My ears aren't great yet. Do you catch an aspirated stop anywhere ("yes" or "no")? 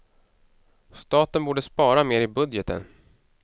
no